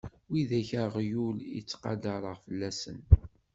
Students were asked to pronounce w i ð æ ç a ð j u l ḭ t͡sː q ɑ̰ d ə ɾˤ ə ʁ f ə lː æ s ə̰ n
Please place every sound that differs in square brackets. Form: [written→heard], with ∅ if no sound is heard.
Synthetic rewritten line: w i ð æ ç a [ð→ʁ] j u l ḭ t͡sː q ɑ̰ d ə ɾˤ ə ʁ f ə lː æ s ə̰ n